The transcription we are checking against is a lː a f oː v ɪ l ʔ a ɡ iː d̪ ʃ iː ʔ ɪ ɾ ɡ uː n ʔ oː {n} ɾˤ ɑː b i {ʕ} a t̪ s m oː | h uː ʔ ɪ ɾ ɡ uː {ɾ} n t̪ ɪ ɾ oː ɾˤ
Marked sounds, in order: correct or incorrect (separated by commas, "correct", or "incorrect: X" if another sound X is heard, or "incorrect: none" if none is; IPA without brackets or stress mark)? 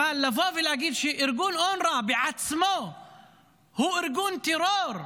correct, correct, incorrect: none